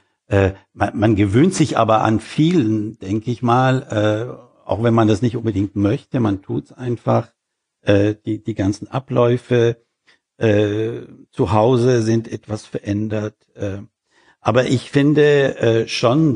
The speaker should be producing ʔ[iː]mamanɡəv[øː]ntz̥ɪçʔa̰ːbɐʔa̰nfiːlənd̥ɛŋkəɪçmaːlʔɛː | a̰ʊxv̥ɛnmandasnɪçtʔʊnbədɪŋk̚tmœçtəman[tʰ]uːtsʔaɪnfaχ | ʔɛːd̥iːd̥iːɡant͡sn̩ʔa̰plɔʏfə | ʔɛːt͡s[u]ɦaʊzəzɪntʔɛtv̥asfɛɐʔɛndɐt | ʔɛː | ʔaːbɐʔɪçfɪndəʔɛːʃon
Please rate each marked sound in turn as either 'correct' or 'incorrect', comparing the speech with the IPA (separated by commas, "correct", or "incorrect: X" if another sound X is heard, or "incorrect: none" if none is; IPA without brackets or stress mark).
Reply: incorrect: ɛː, correct, correct, correct